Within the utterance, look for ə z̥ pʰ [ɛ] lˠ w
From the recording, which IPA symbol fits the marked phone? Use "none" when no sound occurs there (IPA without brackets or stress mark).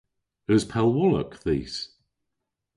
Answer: ɛ